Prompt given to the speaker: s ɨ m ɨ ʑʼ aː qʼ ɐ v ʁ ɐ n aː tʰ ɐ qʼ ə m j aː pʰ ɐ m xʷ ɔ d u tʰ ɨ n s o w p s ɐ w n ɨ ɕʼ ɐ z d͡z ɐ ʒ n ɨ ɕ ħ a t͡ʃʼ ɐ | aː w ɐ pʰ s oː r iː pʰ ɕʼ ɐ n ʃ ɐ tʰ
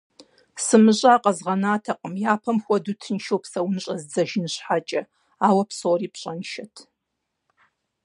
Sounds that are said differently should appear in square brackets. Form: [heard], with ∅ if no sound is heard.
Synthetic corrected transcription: s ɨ m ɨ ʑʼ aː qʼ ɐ [z] ʁ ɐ n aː tʰ ɐ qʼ ə m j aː pʰ ɐ m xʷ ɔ d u tʰ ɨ n [ʃ] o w p s ɐ w n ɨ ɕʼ ɐ z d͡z ɐ ʒ n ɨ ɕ ħ a t͡ʃʼ ɐ | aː w ɐ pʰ s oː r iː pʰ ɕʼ ɐ n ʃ ɐ tʰ